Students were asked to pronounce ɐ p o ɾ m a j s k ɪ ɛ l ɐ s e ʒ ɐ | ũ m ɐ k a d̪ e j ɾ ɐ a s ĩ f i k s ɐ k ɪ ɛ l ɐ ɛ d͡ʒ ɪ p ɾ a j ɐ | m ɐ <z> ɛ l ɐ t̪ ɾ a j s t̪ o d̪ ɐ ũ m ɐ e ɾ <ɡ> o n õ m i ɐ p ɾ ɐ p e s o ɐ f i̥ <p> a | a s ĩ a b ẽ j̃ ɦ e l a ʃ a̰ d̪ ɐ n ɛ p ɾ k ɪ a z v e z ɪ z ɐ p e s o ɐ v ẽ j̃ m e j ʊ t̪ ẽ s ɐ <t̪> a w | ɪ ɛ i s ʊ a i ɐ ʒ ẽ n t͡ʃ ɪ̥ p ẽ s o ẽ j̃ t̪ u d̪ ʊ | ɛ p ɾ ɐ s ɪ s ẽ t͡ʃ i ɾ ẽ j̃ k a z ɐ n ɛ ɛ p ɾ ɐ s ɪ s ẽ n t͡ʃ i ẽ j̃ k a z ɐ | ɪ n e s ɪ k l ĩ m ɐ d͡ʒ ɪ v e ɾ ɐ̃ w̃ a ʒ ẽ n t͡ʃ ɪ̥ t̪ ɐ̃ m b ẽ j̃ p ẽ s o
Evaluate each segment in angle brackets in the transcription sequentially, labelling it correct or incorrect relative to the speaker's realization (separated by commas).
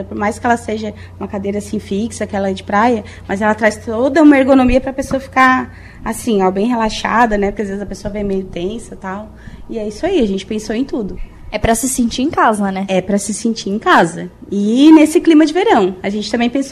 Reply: correct, correct, incorrect, correct